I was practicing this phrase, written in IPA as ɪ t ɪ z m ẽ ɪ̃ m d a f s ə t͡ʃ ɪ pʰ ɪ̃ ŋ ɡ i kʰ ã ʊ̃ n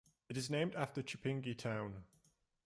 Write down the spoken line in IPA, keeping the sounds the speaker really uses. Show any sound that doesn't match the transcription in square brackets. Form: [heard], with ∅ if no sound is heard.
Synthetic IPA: ɪ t ɪ z [n] ẽ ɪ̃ m d a f [t] ə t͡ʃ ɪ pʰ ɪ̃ ŋ ɡ i [tʰ] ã ʊ̃ n